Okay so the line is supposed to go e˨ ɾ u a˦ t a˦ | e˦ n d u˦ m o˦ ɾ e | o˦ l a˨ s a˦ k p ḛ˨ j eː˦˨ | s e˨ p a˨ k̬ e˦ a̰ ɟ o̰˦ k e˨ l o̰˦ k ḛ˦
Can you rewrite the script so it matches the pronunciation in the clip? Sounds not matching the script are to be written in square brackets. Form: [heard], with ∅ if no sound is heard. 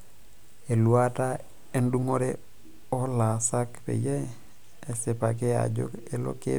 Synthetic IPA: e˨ [l] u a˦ t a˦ | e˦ n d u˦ [ŋ] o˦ ɾ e | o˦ l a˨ s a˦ k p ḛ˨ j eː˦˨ | s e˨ p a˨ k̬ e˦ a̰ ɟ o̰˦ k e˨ l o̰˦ k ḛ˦

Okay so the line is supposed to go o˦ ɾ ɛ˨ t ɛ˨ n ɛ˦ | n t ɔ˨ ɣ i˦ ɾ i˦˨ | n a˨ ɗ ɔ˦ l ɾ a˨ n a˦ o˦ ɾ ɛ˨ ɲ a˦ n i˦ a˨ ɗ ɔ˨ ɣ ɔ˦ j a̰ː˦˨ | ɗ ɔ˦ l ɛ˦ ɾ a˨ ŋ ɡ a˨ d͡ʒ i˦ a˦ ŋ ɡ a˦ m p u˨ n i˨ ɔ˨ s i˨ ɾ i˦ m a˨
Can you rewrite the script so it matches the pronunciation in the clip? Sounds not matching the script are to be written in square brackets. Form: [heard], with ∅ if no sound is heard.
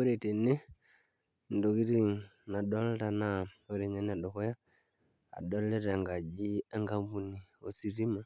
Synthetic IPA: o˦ ɾ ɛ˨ t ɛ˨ n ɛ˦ | n [d] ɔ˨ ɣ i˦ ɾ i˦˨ | n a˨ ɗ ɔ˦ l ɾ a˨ n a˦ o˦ ɾ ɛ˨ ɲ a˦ n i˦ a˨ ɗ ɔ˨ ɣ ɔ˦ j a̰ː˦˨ | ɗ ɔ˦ l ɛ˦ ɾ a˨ ŋ ɡ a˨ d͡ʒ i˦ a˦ ŋ ɡ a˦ m [b] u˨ n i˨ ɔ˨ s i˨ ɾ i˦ m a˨

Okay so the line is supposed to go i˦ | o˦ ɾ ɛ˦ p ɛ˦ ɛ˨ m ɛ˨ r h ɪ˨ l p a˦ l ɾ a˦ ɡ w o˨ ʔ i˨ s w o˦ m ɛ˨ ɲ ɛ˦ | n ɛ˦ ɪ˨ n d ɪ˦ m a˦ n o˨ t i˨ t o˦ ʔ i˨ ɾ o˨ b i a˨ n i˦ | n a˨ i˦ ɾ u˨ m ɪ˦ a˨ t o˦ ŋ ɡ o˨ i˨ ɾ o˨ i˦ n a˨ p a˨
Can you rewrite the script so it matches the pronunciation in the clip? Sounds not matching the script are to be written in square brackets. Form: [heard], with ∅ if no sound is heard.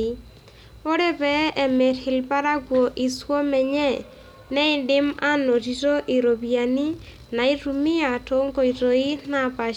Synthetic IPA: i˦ | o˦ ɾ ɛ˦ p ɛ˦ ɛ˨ m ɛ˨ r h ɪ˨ l p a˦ [∅] ɾ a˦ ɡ w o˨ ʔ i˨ s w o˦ m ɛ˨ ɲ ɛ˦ | n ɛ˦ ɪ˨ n d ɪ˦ m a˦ n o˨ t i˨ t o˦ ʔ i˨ ɾ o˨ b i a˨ n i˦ | n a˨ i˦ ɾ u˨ m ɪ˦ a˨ t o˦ ŋ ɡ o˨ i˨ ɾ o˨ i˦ n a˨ p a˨

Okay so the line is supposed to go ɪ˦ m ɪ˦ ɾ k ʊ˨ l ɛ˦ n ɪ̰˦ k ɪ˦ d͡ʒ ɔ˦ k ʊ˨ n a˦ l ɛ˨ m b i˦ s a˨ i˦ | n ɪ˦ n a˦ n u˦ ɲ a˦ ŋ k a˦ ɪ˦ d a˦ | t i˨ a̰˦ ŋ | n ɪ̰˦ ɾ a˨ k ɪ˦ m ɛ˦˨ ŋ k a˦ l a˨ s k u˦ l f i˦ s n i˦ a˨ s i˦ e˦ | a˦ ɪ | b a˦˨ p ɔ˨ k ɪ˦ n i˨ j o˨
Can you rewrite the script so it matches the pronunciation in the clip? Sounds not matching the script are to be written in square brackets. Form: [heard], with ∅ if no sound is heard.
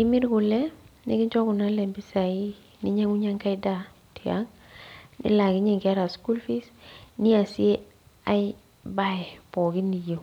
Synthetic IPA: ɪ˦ m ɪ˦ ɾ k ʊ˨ l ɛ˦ n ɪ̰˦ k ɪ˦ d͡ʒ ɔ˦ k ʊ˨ n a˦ l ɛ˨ m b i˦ s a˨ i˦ | n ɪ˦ [ɲ] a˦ [ŋ] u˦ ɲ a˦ ŋ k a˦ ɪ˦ d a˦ | t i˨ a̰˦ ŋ | n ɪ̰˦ [l] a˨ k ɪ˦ [ɲ] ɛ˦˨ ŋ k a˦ [ɾ] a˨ s k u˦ l f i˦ s n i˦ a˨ s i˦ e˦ | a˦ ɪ | b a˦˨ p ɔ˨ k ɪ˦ n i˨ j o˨

